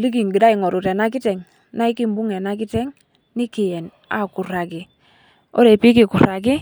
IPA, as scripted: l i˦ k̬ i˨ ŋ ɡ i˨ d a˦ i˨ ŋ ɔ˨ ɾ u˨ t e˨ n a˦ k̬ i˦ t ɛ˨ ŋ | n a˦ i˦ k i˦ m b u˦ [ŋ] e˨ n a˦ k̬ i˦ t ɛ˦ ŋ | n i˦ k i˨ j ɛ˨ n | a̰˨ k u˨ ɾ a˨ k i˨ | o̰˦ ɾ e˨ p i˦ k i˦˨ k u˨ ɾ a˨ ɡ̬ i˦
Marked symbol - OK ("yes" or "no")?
yes